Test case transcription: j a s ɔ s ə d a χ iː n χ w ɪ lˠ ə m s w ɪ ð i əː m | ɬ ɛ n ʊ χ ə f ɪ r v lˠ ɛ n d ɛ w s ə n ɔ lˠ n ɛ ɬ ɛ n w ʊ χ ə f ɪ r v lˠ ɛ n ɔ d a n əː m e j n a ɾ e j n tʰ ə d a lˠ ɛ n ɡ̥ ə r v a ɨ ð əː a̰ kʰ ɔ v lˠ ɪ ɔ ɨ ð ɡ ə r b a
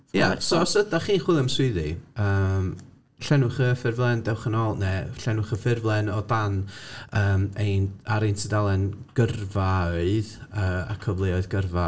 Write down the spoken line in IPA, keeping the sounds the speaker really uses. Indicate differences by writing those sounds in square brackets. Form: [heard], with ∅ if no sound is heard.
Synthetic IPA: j a s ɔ s ə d a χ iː n χ w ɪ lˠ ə m s w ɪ ð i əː m | ɬ ɛ n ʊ χ ə f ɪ r v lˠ ɛ n d ɛ w [χ] ə n ɔ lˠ n ɛ ɬ ɛ n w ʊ χ ə f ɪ r v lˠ ɛ n ɔ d a n əː m e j n a ɾ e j n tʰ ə d a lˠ ɛ n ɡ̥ ə r v a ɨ ð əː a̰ kʰ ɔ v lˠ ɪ ɔ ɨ ð ɡ ə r [v] a